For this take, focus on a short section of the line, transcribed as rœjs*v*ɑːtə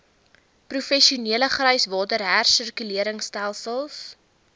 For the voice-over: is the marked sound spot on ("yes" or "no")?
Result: yes